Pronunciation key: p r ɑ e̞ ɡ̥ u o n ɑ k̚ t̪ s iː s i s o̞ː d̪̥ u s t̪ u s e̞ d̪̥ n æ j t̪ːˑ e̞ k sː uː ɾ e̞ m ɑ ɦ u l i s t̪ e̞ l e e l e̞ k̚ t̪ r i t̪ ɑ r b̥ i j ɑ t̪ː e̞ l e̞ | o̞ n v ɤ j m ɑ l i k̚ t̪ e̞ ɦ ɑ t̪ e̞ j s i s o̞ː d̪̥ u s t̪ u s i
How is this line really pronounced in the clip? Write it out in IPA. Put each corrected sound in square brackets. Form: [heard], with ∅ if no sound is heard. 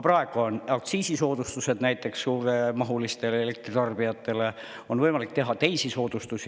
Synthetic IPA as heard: p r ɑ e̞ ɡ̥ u o n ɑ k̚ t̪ s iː s i s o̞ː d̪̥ u s t̪ u s e̞ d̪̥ n æ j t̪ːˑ e̞ k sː uː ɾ e̞ m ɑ ɦ u l i s t̪ e̞ l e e l e̞ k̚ t̪ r i t̪ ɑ r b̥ i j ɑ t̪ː e̞ l e̞ | o̞ n v ɤ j m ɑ l i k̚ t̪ e̞ ɦ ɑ t̪ e̞ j s i s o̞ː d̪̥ u s t̪ u s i